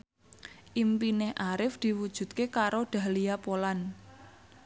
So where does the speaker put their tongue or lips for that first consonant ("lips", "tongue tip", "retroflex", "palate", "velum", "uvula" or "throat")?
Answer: throat